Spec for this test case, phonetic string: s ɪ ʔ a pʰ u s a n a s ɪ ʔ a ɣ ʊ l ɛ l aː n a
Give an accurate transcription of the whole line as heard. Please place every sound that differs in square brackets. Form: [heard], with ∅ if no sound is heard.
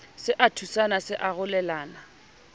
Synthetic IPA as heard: s ɪ ʔ a [tʰ] u s a n a s ɪ ʔ a ɣ ʊ l ɛ l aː n a

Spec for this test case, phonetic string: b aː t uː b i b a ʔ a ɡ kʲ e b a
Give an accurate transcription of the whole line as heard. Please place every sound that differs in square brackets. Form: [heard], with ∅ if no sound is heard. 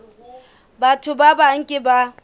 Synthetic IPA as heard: b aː t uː b [a] b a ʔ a [ŋ] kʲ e b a

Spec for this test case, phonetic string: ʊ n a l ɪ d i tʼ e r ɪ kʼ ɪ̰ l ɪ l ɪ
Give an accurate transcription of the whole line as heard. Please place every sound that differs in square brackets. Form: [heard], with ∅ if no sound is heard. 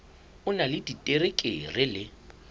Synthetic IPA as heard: ʊ n a l ɪ d i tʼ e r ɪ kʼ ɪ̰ [r] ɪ l ɪ

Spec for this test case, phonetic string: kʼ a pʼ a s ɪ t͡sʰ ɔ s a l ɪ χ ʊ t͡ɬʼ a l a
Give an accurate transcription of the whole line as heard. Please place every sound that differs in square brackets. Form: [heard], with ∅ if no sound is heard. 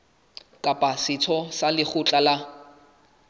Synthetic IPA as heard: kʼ a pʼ a s ɪ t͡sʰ ɔ s a l ɪ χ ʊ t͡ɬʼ a l a

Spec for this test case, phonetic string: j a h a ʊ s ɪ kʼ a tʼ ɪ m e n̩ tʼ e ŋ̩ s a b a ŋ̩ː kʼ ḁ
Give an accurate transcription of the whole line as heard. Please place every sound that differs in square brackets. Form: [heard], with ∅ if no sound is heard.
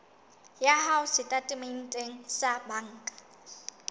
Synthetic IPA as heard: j a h a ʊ s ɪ [tʼ] a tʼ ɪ m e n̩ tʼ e ŋ̩ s a b a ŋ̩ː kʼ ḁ

